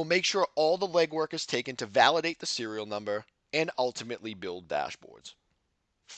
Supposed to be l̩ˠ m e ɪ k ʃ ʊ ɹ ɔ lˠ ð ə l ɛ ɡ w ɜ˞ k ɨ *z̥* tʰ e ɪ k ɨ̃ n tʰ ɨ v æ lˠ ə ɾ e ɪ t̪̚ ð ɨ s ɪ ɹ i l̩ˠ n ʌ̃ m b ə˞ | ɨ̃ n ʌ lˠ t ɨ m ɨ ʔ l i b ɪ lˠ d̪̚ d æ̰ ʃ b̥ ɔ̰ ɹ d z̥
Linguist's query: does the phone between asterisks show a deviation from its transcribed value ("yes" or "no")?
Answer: no